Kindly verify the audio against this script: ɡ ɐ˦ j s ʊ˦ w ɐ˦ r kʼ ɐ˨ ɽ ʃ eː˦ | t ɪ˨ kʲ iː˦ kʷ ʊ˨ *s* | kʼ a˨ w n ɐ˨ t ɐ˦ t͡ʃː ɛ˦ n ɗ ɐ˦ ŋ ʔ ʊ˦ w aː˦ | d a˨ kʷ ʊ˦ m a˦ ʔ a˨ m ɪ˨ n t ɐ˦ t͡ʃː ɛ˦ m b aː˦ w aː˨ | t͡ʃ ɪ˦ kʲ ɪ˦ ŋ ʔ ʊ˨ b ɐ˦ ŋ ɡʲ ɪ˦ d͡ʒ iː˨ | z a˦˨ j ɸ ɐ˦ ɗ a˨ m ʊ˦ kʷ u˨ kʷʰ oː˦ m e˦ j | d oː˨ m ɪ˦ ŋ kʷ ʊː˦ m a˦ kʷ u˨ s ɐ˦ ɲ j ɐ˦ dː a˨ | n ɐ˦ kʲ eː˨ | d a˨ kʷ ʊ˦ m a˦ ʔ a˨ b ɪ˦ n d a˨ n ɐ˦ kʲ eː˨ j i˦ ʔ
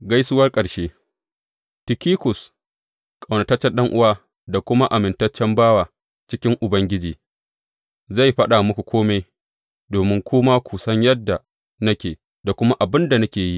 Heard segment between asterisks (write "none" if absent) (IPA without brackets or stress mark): s